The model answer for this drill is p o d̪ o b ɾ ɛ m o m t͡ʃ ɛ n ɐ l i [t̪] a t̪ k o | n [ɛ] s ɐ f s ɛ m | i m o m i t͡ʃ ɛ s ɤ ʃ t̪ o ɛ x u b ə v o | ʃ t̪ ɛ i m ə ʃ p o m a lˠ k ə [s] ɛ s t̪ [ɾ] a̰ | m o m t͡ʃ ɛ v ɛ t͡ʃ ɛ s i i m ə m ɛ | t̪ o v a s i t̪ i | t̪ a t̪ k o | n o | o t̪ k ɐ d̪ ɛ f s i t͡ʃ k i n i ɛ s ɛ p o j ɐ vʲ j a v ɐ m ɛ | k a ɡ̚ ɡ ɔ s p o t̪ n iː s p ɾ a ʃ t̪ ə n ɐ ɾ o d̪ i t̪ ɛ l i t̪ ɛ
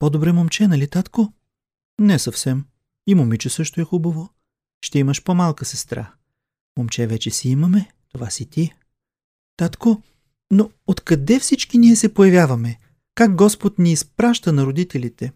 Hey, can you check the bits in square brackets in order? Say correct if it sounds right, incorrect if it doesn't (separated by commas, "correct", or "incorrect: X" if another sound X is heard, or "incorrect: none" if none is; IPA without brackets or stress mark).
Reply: correct, correct, correct, correct